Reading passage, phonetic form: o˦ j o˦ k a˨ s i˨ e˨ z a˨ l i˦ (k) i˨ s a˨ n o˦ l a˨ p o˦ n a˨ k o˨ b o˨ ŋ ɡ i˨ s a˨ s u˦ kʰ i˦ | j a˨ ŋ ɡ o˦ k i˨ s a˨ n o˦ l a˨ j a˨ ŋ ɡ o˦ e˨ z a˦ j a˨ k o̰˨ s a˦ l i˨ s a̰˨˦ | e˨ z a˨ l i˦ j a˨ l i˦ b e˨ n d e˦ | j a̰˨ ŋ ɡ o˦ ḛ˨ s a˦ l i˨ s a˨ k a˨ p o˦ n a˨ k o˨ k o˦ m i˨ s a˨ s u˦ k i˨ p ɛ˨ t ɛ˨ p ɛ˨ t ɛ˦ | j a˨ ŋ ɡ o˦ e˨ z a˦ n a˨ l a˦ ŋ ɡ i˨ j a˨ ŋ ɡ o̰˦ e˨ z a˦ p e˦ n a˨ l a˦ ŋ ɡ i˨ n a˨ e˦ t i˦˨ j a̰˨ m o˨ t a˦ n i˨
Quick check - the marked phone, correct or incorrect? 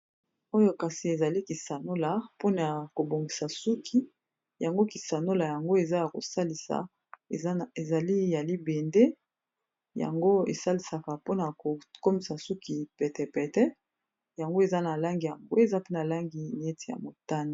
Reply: correct